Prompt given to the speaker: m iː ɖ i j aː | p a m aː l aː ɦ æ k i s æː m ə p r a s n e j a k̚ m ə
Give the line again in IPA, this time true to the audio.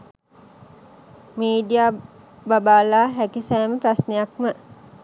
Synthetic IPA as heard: m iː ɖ i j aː | b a b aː l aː ɦ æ k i s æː m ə p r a s n e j a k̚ m ə